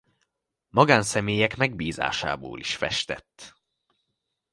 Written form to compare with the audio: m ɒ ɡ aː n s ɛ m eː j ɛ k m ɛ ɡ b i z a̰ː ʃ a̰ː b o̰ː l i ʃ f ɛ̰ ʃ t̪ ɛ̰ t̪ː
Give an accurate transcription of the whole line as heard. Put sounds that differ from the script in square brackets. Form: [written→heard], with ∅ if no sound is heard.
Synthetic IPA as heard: m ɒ ɡ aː n s ɛ m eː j ɛ k m ɛ ɡ b [i→iː] z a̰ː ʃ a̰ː b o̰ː l i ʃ f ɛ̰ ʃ t̪ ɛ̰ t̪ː